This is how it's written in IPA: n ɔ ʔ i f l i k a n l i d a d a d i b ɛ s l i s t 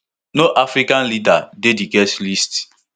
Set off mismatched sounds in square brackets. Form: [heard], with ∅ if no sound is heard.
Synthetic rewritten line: n [o] ʔ [a] f [ɾ] i k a n l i d a d [e] d i [ɡ] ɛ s l i s t